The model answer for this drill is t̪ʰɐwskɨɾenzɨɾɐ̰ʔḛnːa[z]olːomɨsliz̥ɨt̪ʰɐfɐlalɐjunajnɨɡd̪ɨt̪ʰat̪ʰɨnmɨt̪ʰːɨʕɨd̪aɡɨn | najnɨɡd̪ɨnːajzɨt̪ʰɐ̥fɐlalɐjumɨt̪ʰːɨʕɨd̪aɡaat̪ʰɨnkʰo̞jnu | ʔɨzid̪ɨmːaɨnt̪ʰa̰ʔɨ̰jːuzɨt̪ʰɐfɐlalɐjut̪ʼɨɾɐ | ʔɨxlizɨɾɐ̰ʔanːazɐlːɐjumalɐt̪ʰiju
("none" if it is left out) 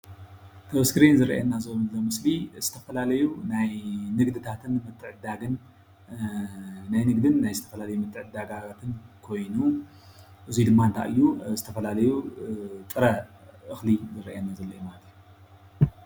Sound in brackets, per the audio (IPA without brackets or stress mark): z